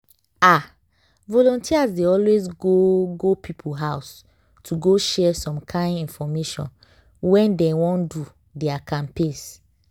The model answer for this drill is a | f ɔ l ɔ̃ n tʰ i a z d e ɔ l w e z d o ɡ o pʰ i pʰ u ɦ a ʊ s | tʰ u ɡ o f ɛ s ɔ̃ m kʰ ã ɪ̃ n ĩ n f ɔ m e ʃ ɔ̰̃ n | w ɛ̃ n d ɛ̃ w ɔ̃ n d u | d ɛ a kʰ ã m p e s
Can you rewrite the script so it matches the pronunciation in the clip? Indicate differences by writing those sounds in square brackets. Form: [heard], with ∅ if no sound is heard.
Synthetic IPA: a | [v] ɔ l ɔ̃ n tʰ i a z d e ɔ l w e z [ɡ] o ɡ o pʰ i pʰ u ɦ a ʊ s | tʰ u ɡ o [ʃ] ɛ s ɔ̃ m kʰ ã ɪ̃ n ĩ n f ɔ m e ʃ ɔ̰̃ n | w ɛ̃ n d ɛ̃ w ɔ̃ n d u | d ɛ a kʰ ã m p e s

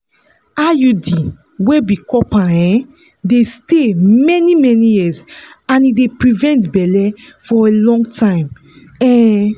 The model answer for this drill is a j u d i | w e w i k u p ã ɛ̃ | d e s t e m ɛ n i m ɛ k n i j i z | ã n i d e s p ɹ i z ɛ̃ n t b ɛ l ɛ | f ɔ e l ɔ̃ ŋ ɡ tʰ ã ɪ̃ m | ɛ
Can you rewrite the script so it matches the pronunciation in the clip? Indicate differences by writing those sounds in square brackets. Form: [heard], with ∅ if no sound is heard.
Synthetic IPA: a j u d i | w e [b] i k [ɔ] p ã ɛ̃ | d e s t e m ɛ n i m ɛ [∅] n i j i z | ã n i d e [∅] p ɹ i [v] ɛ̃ n t b ɛ l ɛ | f ɔ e l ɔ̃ ŋ ɡ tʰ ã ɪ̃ m | ɛ

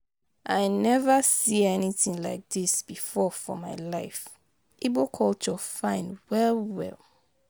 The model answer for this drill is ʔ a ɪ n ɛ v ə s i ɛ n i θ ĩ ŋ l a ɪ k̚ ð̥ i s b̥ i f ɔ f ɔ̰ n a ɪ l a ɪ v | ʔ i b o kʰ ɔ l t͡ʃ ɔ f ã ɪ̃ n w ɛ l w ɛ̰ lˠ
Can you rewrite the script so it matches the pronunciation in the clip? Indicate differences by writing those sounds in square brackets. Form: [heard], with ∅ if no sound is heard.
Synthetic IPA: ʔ a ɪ n ɛ v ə s i ɛ n i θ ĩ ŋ l a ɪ k̚ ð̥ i s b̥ i f ɔ f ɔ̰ [m] a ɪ l a ɪ [f] | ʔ i b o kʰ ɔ l t͡ʃ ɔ f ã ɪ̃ n w ɛ l w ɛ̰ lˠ

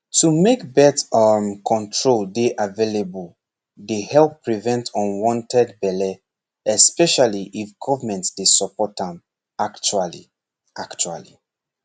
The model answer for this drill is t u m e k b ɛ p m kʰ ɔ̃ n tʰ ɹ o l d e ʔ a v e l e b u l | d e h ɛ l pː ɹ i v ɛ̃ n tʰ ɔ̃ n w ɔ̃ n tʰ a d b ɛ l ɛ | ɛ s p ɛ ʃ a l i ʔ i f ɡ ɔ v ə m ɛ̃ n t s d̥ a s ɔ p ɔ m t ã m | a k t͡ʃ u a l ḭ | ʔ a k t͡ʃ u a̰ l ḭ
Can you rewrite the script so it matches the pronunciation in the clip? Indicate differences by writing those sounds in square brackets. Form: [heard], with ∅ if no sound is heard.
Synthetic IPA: t u m e k b ɛ [t] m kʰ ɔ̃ n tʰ ɹ o l d e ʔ a v e l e b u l | d e h ɛ l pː ɹ i v ɛ̃ n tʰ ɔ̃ n w ɔ̃ n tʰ [ɛ] d b ɛ l ɛ | ɛ s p ɛ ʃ a l i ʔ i f ɡ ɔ v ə m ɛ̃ n t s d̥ [e] s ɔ p ɔ [∅] t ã m | a k t͡ʃ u a l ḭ | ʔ a k t͡ʃ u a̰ l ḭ

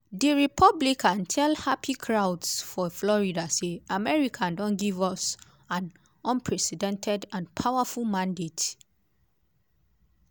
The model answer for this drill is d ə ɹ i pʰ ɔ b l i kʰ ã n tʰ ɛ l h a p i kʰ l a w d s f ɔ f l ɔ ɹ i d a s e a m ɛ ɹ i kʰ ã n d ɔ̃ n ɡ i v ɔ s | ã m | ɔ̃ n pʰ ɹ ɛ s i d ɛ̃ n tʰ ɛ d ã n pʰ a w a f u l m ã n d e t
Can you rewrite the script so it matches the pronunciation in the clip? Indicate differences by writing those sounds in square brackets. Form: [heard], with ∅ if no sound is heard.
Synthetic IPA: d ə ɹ i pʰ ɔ b l i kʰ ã n tʰ ɛ l h a p i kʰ [ɹ] a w d s f ɔ f l ɔ ɹ i d a s e a m ɛ ɹ i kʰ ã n d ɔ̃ n ɡ i v ɔ s | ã [n] | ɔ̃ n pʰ ɹ ɛ s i d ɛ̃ n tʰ ɛ d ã n pʰ a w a f u l m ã n d e t

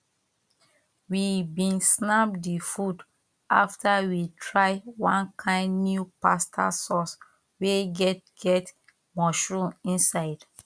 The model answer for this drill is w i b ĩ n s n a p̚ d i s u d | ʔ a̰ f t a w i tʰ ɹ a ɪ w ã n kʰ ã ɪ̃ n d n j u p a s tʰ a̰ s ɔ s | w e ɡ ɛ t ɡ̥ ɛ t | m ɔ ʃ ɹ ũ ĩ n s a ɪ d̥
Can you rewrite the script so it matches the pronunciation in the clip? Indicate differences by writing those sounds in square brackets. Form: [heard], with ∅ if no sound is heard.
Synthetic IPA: w i b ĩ n s n a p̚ d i [f] u d | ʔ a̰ f t a w i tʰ ɹ a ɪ w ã n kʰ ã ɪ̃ n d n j u p a s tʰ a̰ s ɔ s | w e ɡ ɛ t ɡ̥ ɛ t | m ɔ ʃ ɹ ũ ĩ n s a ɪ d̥

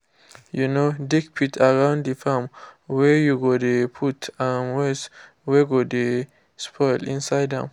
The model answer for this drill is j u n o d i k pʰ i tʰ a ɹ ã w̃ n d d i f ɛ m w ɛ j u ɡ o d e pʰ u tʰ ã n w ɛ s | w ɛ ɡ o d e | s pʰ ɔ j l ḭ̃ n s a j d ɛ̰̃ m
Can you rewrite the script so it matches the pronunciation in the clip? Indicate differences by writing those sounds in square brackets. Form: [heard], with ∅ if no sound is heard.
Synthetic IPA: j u n o d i k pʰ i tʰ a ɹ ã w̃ n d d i f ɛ m w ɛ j u ɡ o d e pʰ u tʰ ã n w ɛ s | w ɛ ɡ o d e | s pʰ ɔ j l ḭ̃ n s a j d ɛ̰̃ m

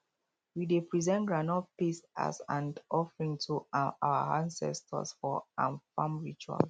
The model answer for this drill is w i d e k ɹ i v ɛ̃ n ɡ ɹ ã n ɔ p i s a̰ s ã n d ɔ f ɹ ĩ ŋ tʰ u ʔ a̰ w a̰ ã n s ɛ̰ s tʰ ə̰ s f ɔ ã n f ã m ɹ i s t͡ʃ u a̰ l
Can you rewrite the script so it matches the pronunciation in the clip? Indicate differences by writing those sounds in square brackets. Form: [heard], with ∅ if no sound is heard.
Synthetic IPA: w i d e [p] ɹ i [z] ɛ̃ n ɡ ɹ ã n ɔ p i s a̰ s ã n d ɔ f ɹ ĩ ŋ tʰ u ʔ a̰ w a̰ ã n s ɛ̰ s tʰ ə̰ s f ɔ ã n f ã m ɹ i [∅] t͡ʃ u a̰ l

